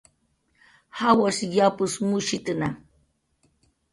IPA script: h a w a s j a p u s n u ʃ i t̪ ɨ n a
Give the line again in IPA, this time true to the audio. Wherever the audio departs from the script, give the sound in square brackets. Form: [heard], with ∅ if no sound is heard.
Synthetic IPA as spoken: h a w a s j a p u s [m] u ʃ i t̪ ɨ n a